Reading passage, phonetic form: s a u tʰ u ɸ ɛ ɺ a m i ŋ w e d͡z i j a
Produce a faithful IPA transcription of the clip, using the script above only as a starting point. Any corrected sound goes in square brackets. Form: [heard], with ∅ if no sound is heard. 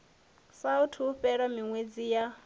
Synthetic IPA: s a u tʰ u ɸ ɛ ɺ a m i ŋ w e d͡z i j a